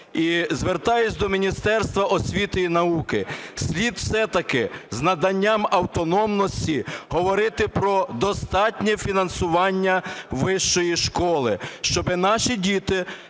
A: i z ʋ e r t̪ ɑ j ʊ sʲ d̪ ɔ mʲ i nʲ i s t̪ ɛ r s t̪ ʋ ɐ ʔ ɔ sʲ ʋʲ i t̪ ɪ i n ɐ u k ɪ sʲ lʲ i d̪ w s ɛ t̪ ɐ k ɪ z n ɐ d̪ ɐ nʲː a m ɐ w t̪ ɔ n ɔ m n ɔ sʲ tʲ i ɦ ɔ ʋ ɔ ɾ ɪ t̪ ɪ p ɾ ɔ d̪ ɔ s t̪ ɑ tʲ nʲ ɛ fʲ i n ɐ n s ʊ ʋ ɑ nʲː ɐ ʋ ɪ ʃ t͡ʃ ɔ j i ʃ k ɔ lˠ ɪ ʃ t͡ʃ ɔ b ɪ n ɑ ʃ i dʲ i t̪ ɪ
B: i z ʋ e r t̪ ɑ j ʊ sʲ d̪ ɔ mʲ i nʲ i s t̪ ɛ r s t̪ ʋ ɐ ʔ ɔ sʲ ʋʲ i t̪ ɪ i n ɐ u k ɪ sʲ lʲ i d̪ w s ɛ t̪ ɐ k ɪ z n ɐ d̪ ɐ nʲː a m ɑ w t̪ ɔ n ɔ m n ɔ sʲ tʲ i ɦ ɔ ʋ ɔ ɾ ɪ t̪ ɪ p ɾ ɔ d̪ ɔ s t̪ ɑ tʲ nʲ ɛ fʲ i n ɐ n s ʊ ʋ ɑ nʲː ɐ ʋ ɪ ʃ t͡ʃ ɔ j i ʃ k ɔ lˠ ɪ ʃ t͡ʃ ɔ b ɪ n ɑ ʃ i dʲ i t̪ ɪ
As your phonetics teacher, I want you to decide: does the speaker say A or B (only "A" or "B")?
A